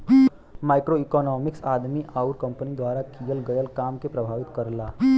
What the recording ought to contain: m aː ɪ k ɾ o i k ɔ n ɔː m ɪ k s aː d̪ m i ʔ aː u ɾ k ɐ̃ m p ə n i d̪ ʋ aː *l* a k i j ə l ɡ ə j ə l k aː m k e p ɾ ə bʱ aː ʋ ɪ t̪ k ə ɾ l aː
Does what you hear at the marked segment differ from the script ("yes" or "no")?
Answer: yes